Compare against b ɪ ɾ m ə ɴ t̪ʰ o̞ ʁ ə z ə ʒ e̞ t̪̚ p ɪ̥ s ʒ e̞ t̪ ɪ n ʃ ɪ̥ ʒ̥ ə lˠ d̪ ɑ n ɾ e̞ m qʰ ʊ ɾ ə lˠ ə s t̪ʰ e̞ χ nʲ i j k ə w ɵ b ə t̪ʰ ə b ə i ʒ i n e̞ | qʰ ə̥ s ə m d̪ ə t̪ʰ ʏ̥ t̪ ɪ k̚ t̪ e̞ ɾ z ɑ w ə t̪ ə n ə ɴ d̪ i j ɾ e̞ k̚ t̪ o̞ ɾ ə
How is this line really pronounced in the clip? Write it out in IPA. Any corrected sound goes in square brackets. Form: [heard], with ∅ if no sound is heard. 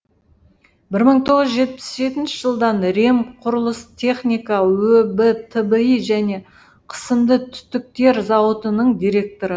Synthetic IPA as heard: b ɪ ɾ m ə ɴ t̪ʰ o̞ ʁ ə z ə ʒ e̞ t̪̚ p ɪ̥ s ʒ e̞ t̪ ɪ n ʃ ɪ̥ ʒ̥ ə lˠ d̪ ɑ n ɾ e̞ m qʰ ʊ ɾ ə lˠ ə s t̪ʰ e̞ χ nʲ i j k [ɑ] w ɵ b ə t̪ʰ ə b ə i ʒ [æ] n e̞ | qʰ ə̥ s ə m d̪ ə t̪ʰ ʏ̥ t̪ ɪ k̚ t̪ e̞ ɾ z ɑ w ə t̪ ə n ə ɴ d̪ i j ɾ e̞ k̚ t̪ o̞ ɾ ə

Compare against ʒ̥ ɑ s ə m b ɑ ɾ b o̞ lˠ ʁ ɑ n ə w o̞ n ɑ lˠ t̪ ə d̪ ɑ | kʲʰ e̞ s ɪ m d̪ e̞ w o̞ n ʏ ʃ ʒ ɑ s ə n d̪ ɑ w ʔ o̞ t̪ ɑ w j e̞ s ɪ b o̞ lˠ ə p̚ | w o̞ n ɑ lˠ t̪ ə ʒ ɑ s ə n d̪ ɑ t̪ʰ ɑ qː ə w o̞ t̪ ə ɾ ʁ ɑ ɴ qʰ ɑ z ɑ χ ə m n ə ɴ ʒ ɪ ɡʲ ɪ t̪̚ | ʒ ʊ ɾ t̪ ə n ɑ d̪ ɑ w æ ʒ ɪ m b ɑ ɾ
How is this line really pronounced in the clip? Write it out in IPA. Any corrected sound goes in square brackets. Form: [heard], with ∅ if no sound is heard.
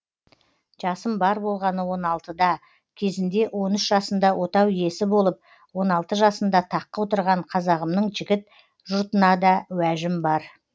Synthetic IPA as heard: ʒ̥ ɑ s ə m b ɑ ɾ b o̞ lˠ ʁ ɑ n ə w o̞ n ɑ lˠ t̪ ə d̪ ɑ | kʲʰ e̞ [z] ɪ [n] d̪ e̞ w o̞ n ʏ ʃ ʒ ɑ s ə n d̪ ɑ w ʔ o̞ t̪ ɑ w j e̞ s ɪ b o̞ lˠ ə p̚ | w o̞ n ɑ lˠ t̪ ə ʒ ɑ s ə n d̪ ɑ t̪ʰ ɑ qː ə w o̞ t̪ ə ɾ ʁ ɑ ɴ qʰ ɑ z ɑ [ʁ] ə m n ə ɴ ʒ ɪ ɡʲ ɪ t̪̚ | ʒ ʊ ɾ t̪ ə n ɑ d̪ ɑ w æ ʒ ɪ m b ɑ ɾ

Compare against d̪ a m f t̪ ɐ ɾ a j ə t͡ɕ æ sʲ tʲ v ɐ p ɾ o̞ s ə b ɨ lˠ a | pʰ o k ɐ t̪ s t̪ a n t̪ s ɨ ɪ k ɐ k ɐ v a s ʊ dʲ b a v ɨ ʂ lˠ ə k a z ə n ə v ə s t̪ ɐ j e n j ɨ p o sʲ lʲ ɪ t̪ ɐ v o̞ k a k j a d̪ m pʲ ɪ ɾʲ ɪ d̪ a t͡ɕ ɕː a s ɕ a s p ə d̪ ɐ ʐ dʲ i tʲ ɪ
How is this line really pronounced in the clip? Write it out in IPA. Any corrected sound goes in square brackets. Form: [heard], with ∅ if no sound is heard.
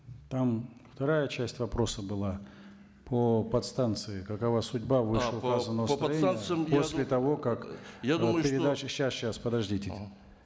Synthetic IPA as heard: [t̪] a m f t̪ ɐ ɾ a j ə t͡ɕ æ sʲ tʲ v ɐ p ɾ o̞ s ə b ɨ lˠ a | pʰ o [p] ɐ t̪ s t̪ a n t̪ s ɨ ɪ k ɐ k ɐ v a s ʊ dʲ b a v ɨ ʂ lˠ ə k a z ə n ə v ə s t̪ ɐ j e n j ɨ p o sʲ lʲ ɪ t̪ ɐ v o̞ k a k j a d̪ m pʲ ɪ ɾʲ ɪ d̪ a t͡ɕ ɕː a s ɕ a s p ə d̪ ɐ ʐ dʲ i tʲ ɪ

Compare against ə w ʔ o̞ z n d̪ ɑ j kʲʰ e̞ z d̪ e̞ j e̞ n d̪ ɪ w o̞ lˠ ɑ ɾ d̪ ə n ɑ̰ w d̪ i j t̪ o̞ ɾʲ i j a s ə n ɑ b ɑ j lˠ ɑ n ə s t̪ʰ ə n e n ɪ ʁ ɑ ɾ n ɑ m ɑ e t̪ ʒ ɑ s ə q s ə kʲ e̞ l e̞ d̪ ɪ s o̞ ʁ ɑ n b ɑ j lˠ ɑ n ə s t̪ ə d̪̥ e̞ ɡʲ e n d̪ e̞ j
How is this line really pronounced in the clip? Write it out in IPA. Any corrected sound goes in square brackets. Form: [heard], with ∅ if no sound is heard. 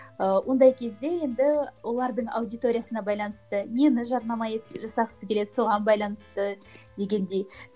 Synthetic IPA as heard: ə w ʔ o̞ [∅] n d̪ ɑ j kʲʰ e̞ z d̪ e̞ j e̞ n d̪ ɪ w o̞ lˠ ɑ ɾ d̪ ə [ɴ] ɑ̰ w d̪ i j t̪ o̞ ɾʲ i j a s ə n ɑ b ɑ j lˠ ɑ n ə s [t̪] ə n e n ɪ [ʒ] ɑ ɾ n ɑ m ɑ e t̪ ʒ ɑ s [ɑ] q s ə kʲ e̞ l e̞ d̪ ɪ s o̞ ʁ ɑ n b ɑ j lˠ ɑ n ə s t̪ ə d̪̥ e̞ ɡʲ e n d̪ e̞ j

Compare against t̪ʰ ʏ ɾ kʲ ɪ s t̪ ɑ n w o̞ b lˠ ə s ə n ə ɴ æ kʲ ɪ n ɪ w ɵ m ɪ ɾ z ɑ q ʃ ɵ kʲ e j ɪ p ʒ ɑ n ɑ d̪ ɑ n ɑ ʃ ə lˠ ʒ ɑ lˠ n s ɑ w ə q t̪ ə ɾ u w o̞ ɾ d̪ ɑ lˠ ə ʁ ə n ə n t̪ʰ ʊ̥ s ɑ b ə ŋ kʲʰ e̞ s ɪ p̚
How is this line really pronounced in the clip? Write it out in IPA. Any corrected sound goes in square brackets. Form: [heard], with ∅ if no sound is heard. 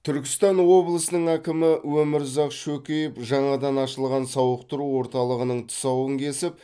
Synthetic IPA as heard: t̪ʰ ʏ ɾ kʲ ɪ s t̪ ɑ n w o̞ b lˠ ə s ə n ə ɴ æ kʲ ɪ [m] ɪ w ɵ m ɪ ɾ z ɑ q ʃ ɵ kʲ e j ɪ p ʒ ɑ [ɴ] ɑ d̪ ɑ n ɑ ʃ ə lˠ [ʁ] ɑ [∅] n s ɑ w ə q t̪ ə ɾ u w o̞ ɾ [t̪] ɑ lˠ ə ʁ ə n ə [ɴ] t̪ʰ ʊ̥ s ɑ [w] ə ŋ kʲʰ e̞ s ɪ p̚

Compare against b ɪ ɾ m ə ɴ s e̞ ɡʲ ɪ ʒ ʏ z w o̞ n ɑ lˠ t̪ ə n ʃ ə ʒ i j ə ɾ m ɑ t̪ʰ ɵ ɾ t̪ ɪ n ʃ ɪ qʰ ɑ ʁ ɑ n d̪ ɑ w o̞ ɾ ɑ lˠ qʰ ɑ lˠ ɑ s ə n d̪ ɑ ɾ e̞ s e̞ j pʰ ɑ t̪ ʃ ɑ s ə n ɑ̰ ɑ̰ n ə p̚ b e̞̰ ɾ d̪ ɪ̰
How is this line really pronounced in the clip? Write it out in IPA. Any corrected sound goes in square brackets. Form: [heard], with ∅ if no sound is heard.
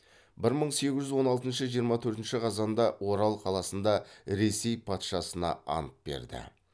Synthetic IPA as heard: b ɪ ɾ m ə ɴ s e̞ ɡʲ ɪ ʒ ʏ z w o̞ n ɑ lˠ t̪ ə n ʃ ə ʒ i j ə ɾ m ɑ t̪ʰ ɵ ɾ t̪ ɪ n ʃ ɪ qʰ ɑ [z] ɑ n d̪ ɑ w o̞ ɾ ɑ lˠ qʰ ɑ lˠ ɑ s ə n d̪ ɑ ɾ e̞ s e̞ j pʰ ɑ t̪ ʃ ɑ s ə n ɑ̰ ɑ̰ n ə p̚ b e̞̰ ɾ d̪ ɪ̰

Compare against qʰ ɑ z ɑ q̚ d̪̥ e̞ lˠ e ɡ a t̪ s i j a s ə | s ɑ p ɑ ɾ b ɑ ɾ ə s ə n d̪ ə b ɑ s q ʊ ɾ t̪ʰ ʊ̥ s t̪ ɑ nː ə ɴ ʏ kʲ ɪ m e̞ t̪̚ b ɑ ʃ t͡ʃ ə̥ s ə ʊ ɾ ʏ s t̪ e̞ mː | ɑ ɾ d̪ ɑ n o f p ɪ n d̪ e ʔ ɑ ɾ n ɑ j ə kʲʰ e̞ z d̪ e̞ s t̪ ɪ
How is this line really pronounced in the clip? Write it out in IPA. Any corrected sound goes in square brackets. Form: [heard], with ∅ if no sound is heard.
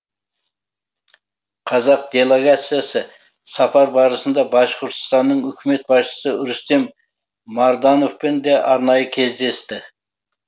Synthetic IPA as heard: qʰ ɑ z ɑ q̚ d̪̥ e̞ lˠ e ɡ a t̪ s i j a s ə | s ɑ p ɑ ɾ b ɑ ɾ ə s ə n d̪ [ɑ] b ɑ [ʃ] q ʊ ɾ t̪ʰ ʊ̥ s t̪ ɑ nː ə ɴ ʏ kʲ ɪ m e̞ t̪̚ b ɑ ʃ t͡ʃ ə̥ s ə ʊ ɾ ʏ s t̪ e̞ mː | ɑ ɾ d̪ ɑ n o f p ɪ n d̪ e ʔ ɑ ɾ n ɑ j ə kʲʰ e̞ z d̪ e̞ s t̪ ɪ

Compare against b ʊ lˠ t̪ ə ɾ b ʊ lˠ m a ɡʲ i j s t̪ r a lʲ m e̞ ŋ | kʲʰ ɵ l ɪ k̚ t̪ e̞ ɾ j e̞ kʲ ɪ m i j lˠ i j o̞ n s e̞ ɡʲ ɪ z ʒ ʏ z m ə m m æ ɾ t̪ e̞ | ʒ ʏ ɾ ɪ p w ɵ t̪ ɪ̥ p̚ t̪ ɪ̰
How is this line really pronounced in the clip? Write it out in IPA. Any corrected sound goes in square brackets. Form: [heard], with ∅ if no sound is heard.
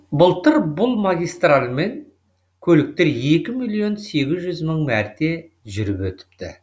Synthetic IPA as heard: b ʊ lˠ t̪ ə ɾ b ʊ lˠ m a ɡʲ i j s t̪ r a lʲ m e̞ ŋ | kʲʰ ɵ l ɪ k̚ t̪ e̞ ɾ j e̞ kʲ ɪ m i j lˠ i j o̞ n s e̞ ɡʲ ɪ z ʒ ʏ z m ə [ɴ] m æ ɾ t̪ e̞ | ʒ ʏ ɾ ɪ p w ɵ t̪ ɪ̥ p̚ t̪ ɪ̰

